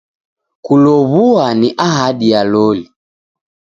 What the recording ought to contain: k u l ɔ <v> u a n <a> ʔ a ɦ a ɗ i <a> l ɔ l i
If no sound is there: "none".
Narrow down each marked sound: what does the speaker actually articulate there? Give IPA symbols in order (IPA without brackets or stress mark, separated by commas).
β, i, a